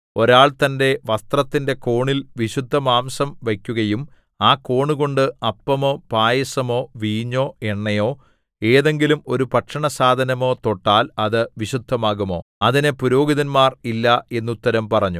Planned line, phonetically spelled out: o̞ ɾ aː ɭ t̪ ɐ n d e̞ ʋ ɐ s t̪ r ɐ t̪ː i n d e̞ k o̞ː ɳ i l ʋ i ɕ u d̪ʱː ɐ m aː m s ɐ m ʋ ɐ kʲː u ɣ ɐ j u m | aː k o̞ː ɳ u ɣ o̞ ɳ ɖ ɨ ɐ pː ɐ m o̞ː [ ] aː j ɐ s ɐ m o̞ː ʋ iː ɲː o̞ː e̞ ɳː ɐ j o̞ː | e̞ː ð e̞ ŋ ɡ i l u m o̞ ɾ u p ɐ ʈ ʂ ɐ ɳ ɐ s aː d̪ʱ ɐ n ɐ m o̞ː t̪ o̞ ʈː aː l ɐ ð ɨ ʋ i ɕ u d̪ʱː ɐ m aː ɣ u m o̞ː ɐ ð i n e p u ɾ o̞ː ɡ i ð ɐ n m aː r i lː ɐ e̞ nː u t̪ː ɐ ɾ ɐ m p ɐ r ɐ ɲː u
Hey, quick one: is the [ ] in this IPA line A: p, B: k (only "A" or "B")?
A